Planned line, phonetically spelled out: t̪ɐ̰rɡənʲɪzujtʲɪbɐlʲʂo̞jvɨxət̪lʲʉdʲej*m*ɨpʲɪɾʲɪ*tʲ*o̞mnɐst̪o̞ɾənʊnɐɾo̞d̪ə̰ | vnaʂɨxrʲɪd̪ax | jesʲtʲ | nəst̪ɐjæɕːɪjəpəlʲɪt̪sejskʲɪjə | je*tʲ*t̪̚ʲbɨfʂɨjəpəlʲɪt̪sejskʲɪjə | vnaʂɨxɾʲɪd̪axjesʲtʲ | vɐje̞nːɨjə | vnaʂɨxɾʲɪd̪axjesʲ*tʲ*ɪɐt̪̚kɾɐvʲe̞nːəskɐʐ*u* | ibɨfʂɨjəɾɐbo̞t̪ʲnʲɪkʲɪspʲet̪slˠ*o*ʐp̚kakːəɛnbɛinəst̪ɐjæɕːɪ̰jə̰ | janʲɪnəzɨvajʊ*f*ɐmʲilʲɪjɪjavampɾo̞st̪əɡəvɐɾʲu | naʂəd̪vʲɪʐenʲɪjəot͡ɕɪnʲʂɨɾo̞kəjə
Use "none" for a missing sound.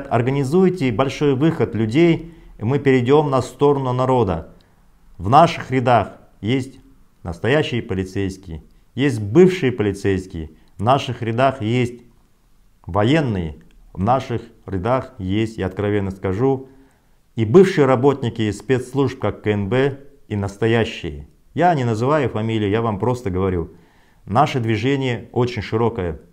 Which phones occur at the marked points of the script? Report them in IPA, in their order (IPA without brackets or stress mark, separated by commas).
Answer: m, dʲ, sʲ, tʲ, u, u, f